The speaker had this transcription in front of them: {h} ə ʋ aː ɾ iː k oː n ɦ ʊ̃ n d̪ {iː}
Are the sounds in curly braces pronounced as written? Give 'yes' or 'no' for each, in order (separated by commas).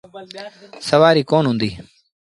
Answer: no, yes